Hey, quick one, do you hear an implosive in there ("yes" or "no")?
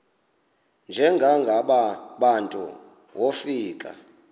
yes